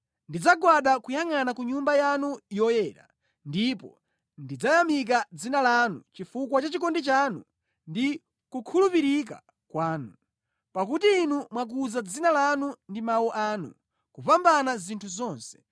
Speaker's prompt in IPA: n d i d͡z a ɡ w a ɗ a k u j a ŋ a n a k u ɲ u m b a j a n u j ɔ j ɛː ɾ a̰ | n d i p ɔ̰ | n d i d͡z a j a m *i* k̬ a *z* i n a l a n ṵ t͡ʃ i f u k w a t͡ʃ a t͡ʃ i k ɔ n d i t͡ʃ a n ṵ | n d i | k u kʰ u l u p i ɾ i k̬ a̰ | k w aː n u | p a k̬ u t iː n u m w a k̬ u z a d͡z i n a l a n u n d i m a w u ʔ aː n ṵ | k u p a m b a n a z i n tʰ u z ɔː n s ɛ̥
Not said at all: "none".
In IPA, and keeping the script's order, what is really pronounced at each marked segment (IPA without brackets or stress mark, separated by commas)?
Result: i, d͡z